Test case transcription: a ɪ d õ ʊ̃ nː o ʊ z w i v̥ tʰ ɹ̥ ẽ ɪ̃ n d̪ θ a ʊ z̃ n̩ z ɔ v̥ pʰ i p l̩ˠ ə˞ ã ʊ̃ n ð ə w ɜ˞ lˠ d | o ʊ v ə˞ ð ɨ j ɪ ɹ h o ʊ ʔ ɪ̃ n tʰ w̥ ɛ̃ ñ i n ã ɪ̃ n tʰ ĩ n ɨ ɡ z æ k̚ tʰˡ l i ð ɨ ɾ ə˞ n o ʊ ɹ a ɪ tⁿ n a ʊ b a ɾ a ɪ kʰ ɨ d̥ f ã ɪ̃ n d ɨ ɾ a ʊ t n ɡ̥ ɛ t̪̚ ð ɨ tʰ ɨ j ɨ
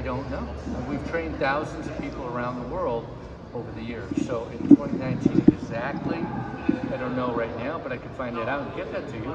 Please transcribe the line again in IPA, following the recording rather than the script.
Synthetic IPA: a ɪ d õ ʊ̃ nː o ʊ w i v̥ tʰ ɹ̥ ẽ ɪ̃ n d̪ θ a ʊ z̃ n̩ z ʌ v̥ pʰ i p l̩ˠ ə˞ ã ʊ̃ n ð ə w ɜ˞ lˠ d | o ʊ v ə˞ ð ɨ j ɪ ɹ s o ʊ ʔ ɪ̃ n tʰ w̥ ɛ̃ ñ i n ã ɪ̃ n tʰ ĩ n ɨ ɡ z æ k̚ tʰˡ l i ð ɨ ɾ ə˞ n o ʊ ɹ a ɪ tⁿ n a ʊ b ʌ ɾ a ɪ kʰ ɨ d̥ f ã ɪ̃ n d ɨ ɾ a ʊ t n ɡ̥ ɛ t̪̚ ð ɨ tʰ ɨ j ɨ